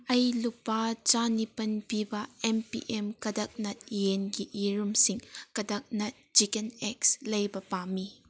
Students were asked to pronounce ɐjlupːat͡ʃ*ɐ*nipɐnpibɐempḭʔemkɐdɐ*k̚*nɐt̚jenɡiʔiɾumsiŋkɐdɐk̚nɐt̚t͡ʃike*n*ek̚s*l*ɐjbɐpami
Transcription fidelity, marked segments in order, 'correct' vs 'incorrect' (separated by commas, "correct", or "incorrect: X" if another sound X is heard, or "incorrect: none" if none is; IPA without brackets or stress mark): incorrect: a, correct, correct, correct